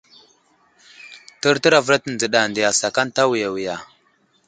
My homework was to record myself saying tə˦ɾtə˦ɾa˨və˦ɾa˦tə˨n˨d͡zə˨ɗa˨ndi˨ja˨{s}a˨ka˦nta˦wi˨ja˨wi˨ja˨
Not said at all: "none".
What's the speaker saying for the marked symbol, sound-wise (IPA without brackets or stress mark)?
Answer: s